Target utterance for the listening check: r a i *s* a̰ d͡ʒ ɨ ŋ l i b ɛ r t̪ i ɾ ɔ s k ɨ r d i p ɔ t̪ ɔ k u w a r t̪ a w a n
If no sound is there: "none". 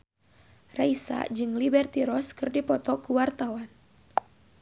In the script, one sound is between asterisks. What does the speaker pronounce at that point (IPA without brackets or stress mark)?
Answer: s